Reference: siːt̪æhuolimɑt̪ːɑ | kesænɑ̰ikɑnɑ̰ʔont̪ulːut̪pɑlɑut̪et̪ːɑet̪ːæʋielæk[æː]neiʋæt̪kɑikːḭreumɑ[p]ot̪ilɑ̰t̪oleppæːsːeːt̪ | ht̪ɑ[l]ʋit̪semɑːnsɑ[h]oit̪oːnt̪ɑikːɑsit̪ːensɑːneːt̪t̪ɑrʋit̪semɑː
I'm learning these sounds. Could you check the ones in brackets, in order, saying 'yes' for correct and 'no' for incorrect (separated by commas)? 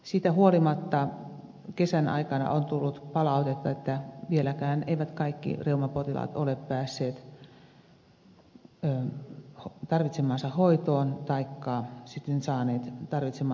yes, yes, no, yes